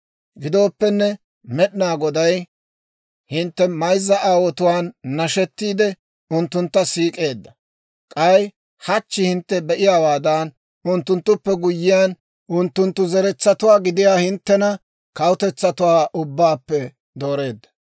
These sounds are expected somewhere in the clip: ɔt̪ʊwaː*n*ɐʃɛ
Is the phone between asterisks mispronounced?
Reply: yes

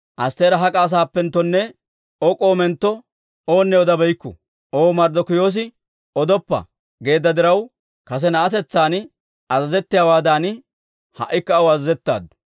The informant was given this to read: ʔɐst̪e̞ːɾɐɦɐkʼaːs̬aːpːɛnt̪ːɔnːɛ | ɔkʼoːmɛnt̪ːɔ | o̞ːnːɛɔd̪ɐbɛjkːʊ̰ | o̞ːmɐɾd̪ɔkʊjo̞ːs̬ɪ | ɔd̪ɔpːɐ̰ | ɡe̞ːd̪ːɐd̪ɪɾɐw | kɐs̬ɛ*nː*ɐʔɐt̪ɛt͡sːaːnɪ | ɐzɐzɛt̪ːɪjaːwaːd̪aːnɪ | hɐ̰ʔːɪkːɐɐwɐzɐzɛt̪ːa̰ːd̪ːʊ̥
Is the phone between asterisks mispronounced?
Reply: yes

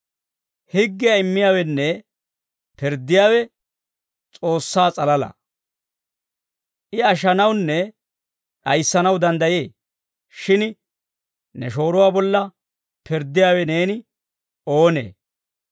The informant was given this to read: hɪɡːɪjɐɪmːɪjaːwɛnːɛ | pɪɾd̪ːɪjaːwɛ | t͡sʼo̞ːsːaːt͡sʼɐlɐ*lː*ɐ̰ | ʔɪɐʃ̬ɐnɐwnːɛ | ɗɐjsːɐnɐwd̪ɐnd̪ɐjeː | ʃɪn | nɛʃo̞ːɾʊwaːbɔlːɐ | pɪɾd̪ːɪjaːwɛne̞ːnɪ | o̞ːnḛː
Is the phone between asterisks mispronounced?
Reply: yes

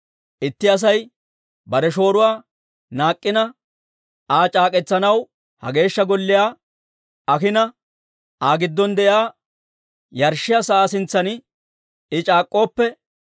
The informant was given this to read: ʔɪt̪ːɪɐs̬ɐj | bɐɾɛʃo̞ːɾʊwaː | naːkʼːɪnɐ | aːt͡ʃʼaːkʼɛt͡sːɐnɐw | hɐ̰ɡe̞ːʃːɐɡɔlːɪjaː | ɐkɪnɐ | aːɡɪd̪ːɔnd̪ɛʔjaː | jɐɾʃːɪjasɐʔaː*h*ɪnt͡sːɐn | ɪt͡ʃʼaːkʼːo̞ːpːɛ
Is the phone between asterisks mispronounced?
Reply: yes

